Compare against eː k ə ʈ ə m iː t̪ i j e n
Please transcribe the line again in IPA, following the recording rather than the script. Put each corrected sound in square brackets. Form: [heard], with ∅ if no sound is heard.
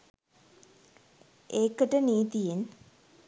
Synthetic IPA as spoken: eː k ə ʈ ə [n] iː t̪ i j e n